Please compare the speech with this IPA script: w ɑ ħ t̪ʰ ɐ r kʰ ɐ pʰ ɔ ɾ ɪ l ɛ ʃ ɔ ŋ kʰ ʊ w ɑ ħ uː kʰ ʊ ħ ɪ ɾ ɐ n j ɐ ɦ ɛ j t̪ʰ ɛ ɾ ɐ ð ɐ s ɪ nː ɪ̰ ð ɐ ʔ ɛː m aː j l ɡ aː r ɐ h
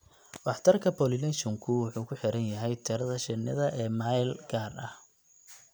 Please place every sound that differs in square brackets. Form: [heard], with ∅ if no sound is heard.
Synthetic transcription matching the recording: w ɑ ħ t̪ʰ ɐ r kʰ ɐ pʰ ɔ [l] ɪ l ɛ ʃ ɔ ŋ kʰ ʊ w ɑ ħ uː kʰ ʊ ħ ɪ ɾ ɐ n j ɐ ɦ ɛ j t̪ʰ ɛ ɾ ɐ ð ɐ [ʃ] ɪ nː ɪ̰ ð ɐ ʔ ɛː m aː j l ɡ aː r ɐ h